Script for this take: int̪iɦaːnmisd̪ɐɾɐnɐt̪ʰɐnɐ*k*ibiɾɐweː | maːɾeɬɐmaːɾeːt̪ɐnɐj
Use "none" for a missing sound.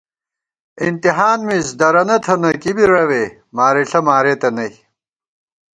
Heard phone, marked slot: k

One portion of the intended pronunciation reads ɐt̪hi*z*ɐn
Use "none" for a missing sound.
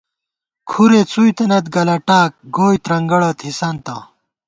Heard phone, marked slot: s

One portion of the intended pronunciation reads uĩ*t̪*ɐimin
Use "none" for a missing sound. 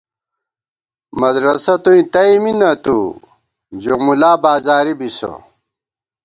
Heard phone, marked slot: t̪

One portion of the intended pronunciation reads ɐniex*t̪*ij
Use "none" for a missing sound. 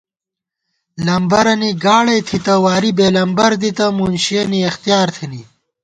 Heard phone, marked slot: t̪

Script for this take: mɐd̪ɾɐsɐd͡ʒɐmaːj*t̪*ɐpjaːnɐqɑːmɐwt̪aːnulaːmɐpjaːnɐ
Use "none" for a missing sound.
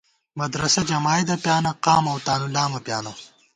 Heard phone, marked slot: d̪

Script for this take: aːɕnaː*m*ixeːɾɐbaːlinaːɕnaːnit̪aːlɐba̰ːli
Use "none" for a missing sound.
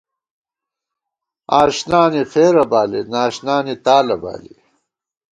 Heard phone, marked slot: n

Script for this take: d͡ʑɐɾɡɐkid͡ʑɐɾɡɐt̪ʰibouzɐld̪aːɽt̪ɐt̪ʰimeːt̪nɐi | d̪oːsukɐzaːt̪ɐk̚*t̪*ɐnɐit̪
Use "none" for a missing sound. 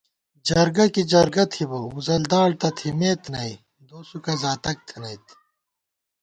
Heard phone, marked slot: t̪ʰ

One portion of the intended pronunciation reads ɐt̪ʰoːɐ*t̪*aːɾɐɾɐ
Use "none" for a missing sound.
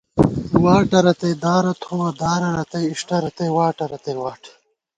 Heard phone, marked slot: d̪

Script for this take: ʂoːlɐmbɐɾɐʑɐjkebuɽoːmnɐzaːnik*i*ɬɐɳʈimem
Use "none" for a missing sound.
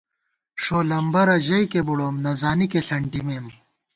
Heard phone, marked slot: e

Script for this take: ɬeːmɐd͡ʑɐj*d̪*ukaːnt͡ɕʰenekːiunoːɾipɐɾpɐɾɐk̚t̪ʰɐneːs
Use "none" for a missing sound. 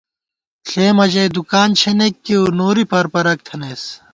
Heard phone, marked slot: d̪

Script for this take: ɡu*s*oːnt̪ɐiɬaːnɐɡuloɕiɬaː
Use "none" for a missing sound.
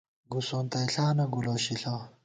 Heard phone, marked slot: s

